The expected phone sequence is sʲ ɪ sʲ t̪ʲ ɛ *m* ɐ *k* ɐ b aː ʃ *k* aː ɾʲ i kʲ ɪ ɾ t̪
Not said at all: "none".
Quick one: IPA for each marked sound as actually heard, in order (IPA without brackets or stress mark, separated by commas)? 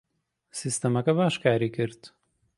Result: m, k, k